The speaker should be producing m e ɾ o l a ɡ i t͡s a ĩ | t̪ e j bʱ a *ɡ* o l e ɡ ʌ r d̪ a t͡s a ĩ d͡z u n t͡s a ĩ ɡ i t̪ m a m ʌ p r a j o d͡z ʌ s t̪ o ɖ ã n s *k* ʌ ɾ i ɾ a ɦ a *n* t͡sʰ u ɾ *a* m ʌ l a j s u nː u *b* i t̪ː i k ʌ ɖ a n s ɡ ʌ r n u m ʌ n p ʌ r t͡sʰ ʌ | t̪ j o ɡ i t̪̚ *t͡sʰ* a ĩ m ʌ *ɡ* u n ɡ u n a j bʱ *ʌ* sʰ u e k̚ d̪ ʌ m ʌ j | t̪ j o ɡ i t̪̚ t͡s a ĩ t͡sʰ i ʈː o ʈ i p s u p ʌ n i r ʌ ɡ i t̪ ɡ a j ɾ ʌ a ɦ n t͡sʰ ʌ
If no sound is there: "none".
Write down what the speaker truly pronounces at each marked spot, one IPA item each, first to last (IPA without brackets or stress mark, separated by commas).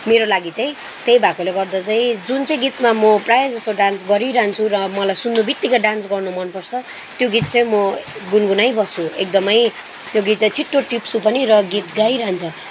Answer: k, ɡ, n, ʌ, b, t͡s, ɡ, ʌ